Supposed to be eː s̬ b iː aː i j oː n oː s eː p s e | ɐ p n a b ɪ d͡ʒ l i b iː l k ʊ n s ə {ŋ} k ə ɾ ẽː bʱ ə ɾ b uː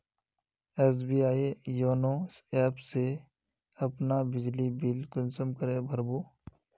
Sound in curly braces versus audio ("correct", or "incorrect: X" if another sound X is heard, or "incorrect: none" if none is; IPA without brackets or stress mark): incorrect: m